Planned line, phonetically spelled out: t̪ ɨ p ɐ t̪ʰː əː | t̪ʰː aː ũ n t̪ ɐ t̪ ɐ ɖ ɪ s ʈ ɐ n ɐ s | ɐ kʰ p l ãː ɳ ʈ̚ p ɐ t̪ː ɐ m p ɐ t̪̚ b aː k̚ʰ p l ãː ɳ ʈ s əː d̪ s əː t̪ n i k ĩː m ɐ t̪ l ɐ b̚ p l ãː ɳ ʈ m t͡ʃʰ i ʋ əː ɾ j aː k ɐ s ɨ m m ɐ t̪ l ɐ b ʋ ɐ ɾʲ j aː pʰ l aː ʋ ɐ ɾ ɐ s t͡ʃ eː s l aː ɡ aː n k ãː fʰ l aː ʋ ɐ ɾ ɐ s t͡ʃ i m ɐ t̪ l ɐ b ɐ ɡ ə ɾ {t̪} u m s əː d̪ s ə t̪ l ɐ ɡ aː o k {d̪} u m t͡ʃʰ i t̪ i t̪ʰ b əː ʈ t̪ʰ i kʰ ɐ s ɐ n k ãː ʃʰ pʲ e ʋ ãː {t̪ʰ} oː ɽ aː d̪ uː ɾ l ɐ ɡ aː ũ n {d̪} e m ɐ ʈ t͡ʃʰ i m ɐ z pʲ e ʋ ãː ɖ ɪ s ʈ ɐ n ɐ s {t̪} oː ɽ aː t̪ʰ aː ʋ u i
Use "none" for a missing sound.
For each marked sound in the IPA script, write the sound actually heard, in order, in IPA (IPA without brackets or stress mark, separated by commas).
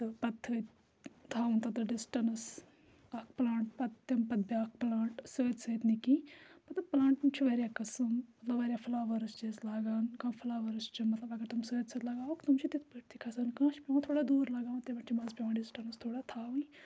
t̪, t̪, t̪ʰ, t̪, t̪ʰ